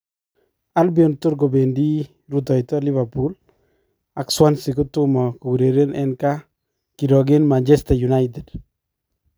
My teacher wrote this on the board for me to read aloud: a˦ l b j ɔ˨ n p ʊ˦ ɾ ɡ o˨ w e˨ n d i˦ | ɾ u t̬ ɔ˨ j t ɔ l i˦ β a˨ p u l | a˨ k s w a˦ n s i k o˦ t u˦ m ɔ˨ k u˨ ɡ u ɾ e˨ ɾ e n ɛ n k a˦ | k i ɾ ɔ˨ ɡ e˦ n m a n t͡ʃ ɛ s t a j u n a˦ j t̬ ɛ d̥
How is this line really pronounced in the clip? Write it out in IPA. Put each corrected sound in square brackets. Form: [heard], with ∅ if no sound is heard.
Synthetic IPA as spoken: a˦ l b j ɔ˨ n [t] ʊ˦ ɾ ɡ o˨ [b] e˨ n d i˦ | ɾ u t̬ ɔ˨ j t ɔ l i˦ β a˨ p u l | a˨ k s w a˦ n s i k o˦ t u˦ m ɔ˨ k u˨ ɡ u ɾ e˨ ɾ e n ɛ n k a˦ | k i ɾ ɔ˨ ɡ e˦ n m a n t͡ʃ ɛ s t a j u n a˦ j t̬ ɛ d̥

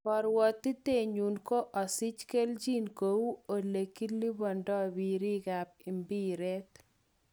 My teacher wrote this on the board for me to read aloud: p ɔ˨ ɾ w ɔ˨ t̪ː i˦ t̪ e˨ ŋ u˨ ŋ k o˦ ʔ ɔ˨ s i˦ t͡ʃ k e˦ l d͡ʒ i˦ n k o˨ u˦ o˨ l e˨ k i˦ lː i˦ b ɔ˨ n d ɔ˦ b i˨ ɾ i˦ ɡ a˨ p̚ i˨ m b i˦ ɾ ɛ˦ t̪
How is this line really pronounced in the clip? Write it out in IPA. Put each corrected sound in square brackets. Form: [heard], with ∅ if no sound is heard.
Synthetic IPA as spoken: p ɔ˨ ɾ w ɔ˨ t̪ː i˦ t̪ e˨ [ɲ] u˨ [n] k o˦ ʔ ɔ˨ s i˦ t͡ʃ k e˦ l d͡ʒ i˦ n k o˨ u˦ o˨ l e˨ k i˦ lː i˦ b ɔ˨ n d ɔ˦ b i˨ ɾ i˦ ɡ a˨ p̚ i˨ m b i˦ ɾ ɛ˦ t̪

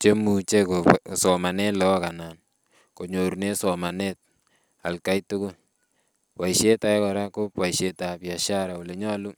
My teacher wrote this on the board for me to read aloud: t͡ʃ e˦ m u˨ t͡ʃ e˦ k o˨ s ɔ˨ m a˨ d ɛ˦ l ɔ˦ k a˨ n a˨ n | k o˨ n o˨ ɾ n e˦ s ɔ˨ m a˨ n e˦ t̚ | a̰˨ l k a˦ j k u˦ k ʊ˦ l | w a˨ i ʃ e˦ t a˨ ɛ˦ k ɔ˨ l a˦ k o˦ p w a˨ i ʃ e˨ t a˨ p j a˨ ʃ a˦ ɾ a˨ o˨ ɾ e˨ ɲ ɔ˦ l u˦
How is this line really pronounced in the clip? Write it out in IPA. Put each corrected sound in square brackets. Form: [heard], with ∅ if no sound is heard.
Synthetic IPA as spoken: t͡ʃ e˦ m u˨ t͡ʃ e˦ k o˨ s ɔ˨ m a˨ [n] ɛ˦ l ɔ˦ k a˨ n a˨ n | k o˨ [ɲ] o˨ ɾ n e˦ s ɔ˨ m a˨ n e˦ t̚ | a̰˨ l k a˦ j [t] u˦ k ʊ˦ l | w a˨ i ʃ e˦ t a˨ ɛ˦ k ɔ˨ [ɾ] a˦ k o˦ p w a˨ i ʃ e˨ t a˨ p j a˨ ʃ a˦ ɾ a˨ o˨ [l] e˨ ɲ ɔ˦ l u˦

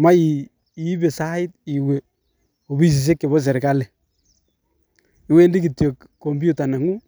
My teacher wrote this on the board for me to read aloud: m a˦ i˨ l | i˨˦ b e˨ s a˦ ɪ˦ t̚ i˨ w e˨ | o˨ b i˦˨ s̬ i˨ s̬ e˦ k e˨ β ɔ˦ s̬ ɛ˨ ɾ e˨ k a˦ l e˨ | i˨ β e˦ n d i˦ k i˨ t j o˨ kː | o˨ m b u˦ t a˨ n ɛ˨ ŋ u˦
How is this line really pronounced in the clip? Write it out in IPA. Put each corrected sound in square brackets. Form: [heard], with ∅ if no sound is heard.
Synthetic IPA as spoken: m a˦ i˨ [∅] | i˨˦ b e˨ s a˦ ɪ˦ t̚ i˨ w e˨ | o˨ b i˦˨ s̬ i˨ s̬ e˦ k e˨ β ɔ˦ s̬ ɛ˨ ɾ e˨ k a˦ l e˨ | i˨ [w] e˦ n d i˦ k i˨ t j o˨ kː | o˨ m b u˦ t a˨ n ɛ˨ ŋ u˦

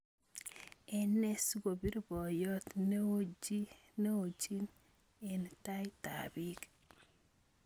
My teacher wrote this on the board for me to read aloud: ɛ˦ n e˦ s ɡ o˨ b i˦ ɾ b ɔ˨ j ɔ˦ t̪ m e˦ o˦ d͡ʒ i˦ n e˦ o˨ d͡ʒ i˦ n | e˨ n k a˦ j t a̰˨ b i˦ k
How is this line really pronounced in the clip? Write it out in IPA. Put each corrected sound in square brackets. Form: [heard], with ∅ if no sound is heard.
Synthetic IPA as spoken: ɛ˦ n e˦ s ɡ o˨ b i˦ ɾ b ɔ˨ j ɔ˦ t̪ [n] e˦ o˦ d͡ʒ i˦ n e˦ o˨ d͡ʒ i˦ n | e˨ n [t] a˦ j t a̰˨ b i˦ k

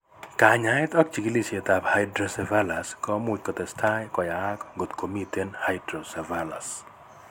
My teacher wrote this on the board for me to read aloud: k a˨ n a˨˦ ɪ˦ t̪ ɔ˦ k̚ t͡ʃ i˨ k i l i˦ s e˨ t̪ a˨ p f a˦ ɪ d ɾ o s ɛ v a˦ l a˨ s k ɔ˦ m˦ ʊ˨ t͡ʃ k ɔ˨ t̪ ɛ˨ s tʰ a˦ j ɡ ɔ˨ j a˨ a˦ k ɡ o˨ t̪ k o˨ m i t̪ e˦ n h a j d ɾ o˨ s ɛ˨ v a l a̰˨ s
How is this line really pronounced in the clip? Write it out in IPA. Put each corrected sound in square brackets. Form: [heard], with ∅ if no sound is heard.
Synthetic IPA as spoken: k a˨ [ɲ] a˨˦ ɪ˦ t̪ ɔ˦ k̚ t͡ʃ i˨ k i l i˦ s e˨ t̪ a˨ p [h] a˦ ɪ d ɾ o s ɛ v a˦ l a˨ s k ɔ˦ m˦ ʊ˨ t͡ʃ k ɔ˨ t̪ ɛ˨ s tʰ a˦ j [k] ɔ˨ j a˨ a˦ k ɡ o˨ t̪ k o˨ m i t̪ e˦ n h a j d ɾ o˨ s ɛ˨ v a l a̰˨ s

